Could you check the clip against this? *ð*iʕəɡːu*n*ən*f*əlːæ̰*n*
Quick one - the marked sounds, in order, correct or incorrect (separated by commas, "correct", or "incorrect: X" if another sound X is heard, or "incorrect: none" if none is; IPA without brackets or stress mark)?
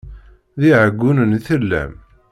correct, correct, incorrect: θ, incorrect: m